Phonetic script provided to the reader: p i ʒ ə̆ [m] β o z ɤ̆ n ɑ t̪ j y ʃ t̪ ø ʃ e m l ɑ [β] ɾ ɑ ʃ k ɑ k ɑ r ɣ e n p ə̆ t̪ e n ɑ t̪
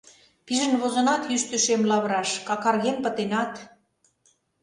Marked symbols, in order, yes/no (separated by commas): no, yes